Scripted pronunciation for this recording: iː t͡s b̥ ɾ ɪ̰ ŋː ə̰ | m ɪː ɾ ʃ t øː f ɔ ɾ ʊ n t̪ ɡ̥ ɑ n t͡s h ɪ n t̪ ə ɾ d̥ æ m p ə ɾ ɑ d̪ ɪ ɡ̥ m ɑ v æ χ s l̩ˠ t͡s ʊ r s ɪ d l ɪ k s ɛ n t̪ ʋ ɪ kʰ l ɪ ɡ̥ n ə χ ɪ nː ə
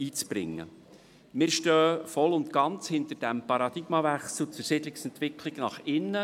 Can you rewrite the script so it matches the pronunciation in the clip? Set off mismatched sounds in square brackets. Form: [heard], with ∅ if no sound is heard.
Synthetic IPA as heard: iː t͡s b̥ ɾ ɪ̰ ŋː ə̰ | m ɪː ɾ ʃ t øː f ɔ [l] ʊ n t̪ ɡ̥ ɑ n t͡s h ɪ n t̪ ə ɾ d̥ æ m p [ɑ] ɾ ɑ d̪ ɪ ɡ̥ m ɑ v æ χ s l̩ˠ t͡s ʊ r s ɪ d l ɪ k s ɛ n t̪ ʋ ɪ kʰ l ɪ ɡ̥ n [ɑ] χ ɪ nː ə